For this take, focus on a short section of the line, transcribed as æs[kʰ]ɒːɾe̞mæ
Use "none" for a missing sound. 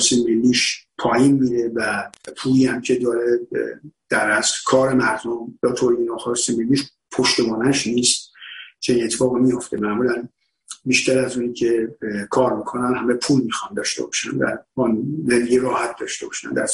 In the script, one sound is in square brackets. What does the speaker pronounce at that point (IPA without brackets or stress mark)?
kʰ